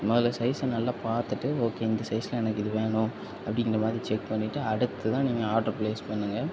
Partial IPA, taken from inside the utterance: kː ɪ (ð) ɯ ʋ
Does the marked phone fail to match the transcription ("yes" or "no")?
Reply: no